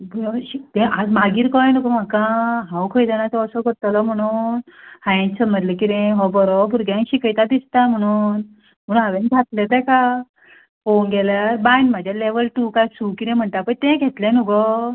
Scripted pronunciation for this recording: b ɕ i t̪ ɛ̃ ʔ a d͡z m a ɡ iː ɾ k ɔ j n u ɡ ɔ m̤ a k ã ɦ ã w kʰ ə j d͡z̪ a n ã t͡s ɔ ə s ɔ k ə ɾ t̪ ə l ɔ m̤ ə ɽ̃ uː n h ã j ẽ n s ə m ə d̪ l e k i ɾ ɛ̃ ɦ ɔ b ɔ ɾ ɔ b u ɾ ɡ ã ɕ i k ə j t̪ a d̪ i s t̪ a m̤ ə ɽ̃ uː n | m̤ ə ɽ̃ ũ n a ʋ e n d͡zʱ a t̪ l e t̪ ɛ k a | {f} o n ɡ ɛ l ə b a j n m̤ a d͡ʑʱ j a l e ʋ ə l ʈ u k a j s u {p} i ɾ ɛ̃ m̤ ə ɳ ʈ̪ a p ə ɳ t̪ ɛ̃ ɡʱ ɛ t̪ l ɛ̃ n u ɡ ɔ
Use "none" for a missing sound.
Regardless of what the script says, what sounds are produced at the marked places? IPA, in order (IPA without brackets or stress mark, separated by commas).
f, k